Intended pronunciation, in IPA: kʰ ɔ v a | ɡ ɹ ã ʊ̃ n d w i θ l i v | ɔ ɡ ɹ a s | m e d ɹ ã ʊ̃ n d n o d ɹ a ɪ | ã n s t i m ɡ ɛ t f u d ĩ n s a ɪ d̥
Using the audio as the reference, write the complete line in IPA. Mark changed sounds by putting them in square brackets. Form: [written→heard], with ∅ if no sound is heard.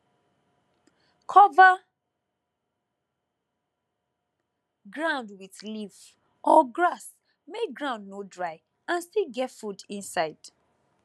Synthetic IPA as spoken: kʰ ɔ v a | ɡ ɹ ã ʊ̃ n d w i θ l i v | ɔ ɡ ɹ a s | m e [d→ɡ] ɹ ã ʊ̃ n d n o d ɹ a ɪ | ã n s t i [m→∅] ɡ ɛ t f u d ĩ n s a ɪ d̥